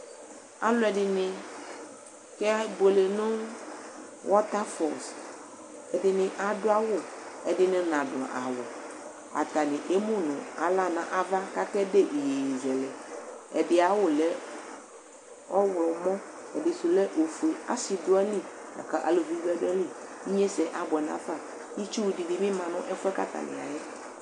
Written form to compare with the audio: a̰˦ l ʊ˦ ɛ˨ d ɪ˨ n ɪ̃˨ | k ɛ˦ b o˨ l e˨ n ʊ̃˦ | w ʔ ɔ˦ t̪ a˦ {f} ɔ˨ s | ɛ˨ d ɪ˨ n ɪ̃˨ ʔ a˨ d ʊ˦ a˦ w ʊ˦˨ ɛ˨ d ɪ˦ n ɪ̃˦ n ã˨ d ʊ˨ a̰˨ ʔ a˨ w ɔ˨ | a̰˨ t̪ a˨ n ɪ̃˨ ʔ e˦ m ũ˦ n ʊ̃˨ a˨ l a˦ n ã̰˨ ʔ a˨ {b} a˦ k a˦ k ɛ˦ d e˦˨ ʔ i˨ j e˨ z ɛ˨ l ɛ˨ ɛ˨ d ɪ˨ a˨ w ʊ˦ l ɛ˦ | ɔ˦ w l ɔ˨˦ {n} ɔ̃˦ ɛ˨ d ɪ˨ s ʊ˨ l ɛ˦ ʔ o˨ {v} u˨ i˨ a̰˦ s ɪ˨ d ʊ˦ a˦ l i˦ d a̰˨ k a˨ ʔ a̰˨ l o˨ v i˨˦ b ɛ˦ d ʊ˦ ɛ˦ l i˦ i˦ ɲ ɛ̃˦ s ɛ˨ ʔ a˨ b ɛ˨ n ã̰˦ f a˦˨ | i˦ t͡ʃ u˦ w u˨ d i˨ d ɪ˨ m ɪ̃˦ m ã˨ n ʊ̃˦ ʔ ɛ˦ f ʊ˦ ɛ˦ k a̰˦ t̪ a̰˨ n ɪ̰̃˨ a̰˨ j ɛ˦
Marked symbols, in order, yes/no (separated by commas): yes, no, no, no